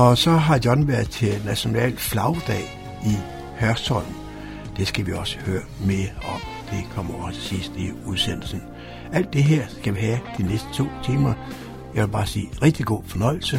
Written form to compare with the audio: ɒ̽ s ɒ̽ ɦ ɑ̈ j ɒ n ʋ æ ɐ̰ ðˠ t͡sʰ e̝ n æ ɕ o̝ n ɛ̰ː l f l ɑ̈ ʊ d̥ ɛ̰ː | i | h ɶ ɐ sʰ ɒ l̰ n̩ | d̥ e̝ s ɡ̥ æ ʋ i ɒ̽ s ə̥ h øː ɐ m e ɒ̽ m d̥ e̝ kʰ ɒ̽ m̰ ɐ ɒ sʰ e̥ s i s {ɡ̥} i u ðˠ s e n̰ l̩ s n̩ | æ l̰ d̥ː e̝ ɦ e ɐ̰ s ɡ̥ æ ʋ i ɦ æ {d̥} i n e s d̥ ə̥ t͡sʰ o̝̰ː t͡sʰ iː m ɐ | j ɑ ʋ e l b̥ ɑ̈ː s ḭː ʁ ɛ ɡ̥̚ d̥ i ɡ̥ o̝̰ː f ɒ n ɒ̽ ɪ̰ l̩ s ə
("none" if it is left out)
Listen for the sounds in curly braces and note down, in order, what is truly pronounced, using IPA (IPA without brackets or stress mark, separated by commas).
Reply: d̥, d̥